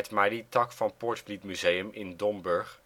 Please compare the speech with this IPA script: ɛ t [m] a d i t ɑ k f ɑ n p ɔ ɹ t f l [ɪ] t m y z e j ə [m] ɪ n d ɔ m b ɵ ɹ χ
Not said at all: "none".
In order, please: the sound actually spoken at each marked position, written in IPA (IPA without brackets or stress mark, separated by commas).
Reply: m, i, m